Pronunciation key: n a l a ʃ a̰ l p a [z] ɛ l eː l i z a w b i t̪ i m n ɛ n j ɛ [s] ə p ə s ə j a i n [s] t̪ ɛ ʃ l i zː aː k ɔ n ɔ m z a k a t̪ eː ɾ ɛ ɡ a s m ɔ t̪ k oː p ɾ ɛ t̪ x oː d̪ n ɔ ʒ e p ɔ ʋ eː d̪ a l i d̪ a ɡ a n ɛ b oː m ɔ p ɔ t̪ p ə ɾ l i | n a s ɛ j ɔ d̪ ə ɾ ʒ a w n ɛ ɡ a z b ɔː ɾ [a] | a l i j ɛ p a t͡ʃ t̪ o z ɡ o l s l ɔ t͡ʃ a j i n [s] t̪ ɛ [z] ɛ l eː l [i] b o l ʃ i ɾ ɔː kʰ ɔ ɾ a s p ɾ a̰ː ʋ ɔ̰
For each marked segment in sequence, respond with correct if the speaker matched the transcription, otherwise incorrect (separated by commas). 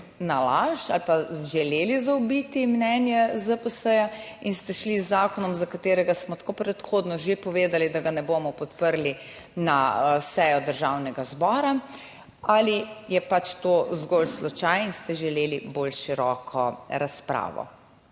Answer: incorrect, incorrect, correct, correct, correct, incorrect, correct